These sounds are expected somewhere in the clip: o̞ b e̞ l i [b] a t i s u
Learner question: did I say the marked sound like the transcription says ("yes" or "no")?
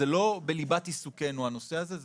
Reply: yes